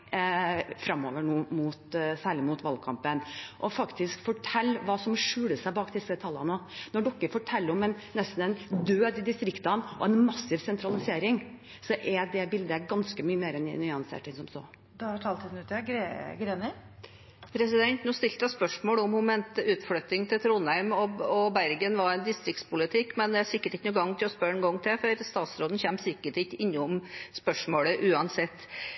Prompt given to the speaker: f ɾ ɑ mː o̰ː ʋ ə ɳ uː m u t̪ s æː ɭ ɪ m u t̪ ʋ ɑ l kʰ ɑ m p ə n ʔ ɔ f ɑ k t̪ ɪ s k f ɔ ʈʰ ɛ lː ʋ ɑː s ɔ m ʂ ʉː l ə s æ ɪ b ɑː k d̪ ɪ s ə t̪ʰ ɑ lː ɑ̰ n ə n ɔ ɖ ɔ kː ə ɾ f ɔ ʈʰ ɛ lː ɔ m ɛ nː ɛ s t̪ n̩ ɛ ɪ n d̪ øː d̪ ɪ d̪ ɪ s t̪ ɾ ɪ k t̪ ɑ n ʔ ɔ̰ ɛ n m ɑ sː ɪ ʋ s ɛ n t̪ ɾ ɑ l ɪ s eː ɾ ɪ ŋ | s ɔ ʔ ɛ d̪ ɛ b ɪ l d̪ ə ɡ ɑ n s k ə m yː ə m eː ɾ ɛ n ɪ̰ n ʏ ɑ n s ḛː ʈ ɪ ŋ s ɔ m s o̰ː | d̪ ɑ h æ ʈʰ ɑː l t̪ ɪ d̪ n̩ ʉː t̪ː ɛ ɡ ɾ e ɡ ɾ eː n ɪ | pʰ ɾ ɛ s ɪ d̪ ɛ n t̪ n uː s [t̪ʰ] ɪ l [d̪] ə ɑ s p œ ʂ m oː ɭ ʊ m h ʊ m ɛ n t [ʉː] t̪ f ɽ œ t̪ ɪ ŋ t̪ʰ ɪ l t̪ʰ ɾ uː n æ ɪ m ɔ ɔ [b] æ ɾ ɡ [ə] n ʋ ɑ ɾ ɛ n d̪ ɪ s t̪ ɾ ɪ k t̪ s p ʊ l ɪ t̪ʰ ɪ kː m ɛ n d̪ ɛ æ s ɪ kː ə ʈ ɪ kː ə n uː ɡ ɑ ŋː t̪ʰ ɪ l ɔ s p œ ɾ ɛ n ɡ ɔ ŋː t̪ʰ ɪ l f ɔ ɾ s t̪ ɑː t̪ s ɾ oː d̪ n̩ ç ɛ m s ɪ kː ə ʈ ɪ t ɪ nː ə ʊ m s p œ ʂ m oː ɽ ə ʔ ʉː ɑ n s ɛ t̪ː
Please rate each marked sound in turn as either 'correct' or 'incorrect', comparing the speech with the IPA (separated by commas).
incorrect, incorrect, correct, correct, correct